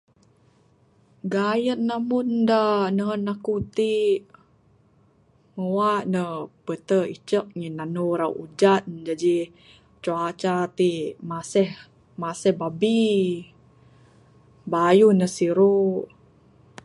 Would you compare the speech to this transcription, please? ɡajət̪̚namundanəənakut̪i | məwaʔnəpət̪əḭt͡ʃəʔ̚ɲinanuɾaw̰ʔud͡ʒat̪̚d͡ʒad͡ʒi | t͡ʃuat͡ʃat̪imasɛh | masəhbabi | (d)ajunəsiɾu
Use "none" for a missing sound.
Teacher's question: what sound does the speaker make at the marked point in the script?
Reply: b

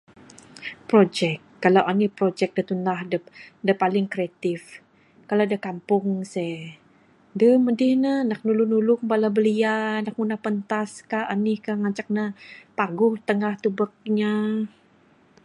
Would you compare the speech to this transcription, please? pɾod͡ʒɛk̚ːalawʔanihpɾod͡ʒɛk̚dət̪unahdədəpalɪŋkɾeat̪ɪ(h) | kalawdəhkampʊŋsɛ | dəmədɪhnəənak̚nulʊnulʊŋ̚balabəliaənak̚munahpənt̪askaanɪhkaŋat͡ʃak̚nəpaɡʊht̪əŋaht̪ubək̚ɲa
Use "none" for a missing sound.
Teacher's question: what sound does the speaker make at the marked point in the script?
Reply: f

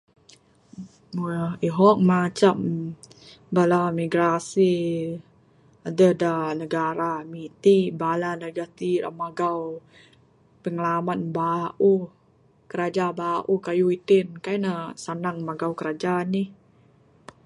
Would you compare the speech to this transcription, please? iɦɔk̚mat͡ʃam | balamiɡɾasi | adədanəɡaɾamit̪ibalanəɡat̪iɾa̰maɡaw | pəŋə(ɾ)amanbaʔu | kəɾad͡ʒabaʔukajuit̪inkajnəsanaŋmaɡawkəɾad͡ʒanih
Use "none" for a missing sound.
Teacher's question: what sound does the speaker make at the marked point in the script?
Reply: l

